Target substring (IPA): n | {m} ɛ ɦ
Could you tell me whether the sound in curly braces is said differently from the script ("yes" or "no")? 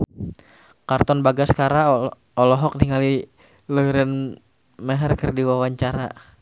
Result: no